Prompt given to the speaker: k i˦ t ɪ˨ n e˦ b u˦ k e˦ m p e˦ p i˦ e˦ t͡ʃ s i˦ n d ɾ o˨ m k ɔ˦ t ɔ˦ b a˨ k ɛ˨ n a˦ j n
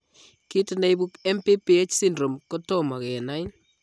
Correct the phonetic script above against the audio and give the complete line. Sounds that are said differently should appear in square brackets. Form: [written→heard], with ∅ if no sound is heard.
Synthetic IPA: k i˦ t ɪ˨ n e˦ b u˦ k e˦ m p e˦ p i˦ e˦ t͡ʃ s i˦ n d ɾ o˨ m k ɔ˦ t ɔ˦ [b→m] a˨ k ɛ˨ n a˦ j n

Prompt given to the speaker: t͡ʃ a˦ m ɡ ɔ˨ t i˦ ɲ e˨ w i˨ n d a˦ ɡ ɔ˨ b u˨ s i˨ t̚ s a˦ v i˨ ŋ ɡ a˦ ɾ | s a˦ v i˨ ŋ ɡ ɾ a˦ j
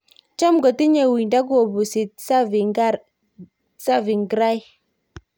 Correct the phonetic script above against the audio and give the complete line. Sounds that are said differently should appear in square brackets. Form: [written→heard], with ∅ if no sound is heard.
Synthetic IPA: t͡ʃ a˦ m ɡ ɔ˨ t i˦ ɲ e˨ w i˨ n d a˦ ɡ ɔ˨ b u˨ s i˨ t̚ s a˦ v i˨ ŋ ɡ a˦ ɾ | s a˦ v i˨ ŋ ɡ ɾ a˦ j

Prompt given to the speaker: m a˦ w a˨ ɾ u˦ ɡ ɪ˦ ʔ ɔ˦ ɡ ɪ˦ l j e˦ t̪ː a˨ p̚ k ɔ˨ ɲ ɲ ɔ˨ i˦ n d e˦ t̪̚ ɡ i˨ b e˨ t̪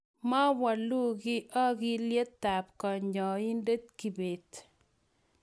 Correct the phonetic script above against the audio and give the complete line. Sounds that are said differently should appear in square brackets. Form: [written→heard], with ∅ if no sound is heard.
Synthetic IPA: m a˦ w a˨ [ɾ→l] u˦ ɡ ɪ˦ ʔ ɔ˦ ɡ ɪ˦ l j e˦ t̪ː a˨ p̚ k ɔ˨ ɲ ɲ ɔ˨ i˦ n d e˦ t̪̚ [ɡ→k] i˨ b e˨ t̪

